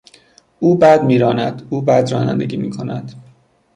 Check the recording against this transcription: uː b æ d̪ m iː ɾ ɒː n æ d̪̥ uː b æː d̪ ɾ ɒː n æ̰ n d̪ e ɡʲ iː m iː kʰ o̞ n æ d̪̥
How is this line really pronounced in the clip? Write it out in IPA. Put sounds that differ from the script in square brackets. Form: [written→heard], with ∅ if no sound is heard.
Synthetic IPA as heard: uː b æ d̪ m iː ɾ ɒː n æ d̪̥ uː b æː d̪ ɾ ɒː n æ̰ n d̪ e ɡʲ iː m iː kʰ o̞ n æ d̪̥